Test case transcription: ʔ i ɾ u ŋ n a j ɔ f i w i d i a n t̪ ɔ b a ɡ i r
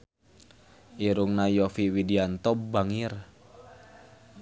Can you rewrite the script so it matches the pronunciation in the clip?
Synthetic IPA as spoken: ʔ i ɾ u ŋ n a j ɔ f i w i d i a n t̪ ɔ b a ŋ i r